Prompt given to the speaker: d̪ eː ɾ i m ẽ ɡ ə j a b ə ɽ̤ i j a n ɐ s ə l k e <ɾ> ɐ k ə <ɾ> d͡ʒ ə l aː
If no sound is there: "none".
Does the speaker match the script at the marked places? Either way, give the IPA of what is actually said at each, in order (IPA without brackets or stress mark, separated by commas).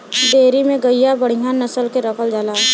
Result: ɾ, l